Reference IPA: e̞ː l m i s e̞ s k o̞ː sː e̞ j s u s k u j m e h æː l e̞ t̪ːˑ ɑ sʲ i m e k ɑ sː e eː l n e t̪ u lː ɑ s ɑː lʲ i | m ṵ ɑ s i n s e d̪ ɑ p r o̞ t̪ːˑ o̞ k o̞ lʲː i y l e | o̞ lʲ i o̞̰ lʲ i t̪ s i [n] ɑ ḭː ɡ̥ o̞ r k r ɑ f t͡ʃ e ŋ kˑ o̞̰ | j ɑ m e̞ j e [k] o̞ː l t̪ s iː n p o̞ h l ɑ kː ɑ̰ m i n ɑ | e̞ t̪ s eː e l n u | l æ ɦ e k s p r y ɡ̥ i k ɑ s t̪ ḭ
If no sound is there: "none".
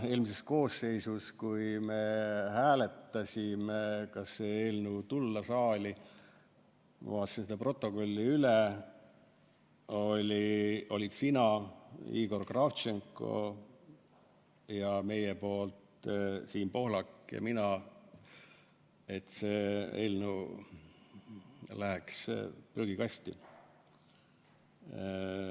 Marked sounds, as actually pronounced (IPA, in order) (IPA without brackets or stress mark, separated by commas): n, p